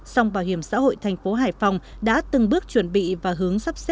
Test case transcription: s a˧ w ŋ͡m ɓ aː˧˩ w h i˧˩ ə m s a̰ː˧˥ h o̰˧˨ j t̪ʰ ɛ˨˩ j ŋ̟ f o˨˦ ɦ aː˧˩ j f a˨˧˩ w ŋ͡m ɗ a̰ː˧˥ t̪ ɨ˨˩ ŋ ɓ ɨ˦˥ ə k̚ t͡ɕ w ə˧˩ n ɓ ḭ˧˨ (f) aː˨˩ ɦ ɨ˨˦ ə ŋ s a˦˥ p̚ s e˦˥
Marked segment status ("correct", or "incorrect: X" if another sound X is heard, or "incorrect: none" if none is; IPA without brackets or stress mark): incorrect: v